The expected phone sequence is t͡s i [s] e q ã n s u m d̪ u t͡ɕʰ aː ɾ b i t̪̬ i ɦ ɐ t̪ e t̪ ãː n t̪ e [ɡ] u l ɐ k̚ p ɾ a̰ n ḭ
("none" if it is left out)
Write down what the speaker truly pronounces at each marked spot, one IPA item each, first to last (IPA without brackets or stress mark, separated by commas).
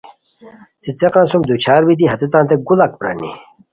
t͡s, ɡ